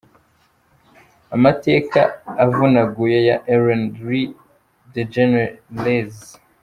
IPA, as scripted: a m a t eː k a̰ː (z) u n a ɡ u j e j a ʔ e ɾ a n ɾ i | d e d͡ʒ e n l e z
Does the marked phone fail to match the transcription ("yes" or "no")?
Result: yes